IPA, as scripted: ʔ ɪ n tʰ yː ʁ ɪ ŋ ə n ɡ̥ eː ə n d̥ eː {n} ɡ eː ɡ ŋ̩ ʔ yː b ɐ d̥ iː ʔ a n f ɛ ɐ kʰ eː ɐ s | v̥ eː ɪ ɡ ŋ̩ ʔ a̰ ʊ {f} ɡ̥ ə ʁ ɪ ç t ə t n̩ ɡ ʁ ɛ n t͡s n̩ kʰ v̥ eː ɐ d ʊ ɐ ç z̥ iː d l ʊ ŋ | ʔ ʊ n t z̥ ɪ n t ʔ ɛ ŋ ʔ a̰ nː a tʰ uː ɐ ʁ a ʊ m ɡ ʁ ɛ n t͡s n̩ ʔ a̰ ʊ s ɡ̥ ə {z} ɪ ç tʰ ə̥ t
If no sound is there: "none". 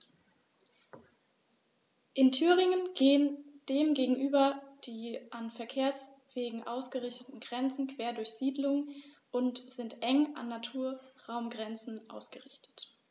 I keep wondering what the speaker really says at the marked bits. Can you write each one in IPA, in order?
m, s, ʁ

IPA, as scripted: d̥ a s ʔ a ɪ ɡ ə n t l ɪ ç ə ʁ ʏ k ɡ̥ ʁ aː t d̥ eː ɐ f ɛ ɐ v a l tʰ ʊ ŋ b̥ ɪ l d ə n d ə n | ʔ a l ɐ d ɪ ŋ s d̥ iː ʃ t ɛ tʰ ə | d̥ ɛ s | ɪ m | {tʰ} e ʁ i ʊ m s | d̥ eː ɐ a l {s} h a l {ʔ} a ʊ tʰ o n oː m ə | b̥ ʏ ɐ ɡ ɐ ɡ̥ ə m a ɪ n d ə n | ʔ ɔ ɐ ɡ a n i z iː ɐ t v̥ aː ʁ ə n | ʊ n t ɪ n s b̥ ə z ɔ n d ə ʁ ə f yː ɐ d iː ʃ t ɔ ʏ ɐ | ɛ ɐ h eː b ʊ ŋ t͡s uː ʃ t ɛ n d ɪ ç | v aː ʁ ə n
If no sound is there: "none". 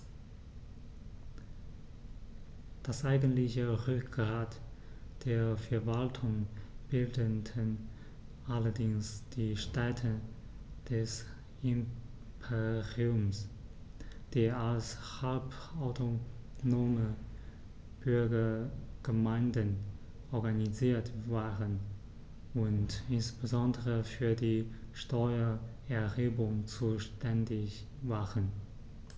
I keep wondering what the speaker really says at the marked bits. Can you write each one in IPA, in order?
pʰ, s, p

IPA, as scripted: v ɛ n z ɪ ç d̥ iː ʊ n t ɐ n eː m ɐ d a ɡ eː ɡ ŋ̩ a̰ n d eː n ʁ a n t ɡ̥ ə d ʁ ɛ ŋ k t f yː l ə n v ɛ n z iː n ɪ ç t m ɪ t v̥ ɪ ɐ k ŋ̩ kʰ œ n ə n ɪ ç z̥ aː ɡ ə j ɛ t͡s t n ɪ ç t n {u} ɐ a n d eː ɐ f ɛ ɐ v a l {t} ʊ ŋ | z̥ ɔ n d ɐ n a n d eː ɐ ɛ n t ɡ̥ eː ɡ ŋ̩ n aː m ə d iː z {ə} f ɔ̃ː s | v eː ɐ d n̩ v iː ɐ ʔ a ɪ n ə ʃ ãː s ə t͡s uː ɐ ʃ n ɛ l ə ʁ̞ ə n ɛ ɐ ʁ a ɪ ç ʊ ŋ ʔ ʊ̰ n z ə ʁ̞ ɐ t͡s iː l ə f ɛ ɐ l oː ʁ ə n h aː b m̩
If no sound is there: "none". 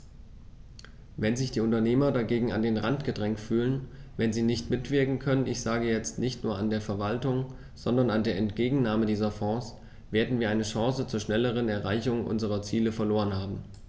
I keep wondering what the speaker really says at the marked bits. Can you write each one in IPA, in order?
uː, t, ɐ

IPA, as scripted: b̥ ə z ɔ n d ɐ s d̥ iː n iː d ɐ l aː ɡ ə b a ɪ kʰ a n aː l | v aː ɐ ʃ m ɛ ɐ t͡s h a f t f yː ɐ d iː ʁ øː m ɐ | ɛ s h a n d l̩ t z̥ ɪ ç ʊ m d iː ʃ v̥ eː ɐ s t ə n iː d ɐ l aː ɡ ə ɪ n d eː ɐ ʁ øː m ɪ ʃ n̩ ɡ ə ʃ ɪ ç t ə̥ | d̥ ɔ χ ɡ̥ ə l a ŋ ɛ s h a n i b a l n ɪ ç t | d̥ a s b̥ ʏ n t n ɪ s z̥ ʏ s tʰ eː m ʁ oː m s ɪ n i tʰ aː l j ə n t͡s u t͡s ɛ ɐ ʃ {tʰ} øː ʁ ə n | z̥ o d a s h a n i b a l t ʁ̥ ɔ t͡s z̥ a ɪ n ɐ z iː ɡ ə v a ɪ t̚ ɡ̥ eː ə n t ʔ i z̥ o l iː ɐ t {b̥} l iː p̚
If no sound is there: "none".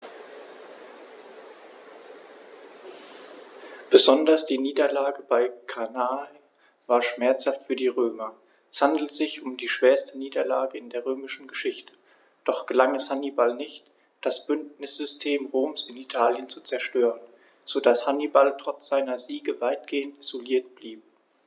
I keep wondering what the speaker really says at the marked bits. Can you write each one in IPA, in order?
t, b̥

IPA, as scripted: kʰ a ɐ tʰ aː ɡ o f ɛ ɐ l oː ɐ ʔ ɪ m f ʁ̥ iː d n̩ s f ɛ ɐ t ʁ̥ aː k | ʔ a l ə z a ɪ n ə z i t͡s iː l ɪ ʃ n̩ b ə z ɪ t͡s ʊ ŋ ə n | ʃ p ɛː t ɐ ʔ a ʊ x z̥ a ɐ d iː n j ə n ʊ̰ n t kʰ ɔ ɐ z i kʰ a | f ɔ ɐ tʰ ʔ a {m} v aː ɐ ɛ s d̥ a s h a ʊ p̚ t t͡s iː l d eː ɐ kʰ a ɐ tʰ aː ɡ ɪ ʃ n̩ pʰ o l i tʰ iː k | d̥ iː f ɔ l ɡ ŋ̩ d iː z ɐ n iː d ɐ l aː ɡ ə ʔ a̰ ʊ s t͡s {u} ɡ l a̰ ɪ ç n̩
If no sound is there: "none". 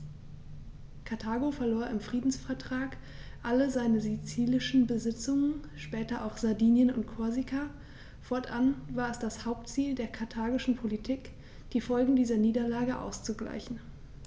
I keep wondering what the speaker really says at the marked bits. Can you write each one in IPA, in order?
n, u

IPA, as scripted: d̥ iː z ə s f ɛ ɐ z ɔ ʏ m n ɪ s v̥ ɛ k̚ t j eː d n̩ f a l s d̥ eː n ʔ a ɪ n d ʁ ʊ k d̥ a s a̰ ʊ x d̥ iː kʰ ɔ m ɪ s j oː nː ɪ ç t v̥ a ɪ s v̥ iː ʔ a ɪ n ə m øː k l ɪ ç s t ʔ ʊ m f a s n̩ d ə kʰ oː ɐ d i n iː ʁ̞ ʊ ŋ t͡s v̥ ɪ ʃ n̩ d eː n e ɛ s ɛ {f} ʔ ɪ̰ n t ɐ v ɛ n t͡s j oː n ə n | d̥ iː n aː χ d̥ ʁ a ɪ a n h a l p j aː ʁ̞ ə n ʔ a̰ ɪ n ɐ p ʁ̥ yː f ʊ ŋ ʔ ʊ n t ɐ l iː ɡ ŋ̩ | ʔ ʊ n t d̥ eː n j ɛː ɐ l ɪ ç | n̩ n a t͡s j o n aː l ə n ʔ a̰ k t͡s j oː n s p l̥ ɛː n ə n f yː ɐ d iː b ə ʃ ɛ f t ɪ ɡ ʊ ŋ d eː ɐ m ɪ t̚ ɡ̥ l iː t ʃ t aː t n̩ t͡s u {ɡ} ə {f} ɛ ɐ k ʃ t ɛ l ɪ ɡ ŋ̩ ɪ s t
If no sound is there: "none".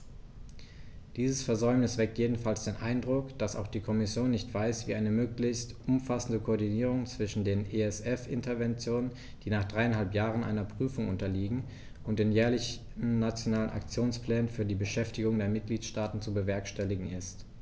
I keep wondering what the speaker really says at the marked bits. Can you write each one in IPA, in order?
f, b, v

